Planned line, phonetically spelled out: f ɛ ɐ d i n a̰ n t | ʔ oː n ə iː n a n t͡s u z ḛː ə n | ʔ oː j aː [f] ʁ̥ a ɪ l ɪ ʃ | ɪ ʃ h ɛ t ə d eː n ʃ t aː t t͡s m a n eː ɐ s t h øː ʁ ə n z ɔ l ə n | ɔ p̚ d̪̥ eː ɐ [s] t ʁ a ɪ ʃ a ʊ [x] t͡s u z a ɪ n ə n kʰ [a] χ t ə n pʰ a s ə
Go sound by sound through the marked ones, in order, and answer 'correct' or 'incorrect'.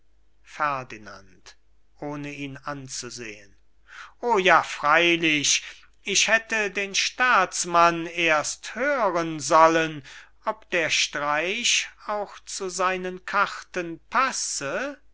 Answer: correct, incorrect, correct, correct

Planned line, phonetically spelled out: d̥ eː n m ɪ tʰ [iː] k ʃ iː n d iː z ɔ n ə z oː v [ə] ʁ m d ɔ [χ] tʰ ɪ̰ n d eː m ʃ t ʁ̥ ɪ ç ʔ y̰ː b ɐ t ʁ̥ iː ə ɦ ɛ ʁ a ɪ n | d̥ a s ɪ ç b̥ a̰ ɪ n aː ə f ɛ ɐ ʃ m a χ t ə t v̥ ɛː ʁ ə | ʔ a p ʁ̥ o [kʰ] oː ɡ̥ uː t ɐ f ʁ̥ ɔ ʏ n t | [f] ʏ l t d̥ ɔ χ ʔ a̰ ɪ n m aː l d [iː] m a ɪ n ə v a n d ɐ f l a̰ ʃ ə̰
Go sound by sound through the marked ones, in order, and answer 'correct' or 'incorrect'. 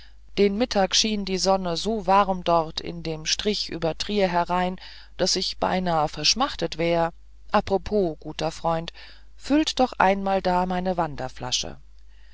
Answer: incorrect, incorrect, incorrect, incorrect, correct, incorrect

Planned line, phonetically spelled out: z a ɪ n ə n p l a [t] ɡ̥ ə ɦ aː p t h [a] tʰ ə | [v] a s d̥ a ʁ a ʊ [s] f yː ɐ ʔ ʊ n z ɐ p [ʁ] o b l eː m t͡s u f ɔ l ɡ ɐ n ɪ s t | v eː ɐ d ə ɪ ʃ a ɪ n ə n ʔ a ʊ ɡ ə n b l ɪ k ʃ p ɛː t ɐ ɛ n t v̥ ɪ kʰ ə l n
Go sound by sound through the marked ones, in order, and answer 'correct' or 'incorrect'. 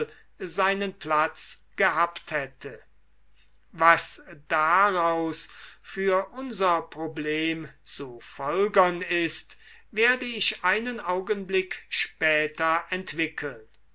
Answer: incorrect, incorrect, correct, correct, correct

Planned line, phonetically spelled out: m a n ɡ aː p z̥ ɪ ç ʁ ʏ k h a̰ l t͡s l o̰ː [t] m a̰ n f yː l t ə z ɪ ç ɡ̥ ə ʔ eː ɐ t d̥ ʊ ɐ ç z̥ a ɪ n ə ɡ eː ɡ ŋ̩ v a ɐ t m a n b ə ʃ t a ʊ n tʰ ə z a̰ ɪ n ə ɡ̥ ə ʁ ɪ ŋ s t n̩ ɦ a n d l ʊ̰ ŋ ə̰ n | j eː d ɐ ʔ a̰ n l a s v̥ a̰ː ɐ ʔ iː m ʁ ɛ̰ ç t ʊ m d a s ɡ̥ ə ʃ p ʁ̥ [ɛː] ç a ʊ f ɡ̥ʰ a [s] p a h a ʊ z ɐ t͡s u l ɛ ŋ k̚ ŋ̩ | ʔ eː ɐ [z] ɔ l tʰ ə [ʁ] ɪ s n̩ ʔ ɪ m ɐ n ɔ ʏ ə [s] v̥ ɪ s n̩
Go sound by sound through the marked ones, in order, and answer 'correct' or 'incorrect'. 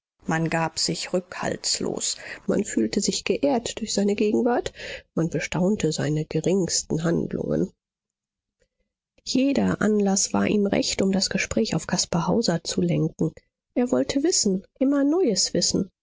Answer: incorrect, correct, correct, incorrect, incorrect, correct

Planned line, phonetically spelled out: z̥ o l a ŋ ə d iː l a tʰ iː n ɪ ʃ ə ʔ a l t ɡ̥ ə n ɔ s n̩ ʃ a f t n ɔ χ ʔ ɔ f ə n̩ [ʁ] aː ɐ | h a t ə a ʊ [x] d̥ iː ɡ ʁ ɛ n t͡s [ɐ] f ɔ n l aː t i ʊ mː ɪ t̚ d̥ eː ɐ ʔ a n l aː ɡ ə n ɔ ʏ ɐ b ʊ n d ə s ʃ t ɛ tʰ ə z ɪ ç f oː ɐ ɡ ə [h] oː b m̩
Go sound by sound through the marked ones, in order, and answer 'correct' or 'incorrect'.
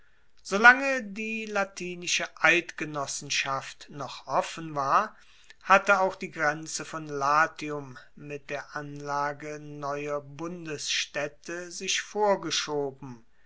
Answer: incorrect, correct, incorrect, incorrect

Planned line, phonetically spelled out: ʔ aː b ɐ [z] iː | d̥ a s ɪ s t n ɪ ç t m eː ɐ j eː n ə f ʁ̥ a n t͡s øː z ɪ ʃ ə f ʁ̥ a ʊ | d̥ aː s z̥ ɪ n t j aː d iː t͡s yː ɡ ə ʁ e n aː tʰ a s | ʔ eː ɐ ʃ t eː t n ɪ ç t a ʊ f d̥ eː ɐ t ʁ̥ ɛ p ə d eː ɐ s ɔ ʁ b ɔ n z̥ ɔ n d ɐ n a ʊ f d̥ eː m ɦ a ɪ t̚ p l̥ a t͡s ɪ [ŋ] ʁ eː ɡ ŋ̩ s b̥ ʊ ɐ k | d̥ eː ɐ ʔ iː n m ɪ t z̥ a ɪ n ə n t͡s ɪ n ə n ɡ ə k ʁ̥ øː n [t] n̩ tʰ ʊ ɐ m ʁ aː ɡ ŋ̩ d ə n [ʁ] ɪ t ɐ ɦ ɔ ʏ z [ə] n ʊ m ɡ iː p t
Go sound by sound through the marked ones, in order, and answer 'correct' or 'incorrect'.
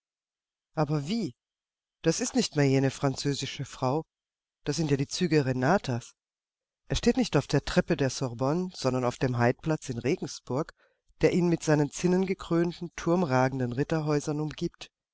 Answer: incorrect, incorrect, correct, correct, incorrect

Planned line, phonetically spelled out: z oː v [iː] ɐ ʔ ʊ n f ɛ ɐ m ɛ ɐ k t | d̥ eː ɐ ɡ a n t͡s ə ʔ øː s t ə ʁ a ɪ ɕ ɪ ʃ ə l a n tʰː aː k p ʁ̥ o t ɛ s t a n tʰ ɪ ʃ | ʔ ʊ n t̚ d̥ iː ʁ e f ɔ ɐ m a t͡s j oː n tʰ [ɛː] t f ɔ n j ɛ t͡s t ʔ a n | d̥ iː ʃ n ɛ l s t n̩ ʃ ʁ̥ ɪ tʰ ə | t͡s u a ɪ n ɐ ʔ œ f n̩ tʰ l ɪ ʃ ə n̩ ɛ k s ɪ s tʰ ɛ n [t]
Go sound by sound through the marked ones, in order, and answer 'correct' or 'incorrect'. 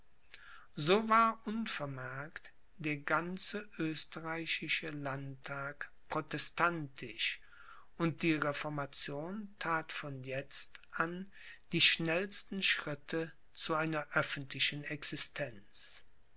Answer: incorrect, incorrect, incorrect

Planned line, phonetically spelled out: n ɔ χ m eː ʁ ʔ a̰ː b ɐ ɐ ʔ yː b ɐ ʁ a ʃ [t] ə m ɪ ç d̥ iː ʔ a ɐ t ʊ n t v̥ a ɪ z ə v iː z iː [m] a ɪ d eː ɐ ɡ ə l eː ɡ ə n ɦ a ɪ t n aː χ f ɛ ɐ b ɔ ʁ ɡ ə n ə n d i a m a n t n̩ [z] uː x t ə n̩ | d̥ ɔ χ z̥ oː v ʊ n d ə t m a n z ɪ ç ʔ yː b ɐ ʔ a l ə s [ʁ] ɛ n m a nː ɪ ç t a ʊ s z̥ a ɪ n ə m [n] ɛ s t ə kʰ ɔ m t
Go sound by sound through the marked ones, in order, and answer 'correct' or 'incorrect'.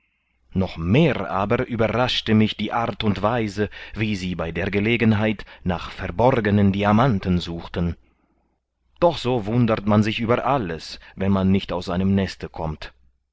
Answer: correct, incorrect, correct, incorrect, correct

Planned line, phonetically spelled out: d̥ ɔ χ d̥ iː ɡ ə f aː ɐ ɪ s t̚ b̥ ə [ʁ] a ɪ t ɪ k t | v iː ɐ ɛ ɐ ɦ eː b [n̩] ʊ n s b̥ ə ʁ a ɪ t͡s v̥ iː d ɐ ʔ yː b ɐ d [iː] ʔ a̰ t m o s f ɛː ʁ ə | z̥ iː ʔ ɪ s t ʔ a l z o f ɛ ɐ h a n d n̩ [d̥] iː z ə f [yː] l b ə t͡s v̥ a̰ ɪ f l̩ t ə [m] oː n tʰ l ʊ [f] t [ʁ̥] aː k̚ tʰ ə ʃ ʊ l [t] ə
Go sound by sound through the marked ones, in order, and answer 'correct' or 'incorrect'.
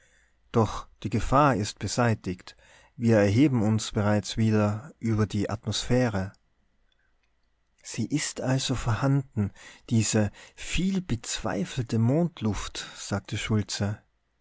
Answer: incorrect, incorrect, correct, correct, incorrect, correct, correct, incorrect, incorrect

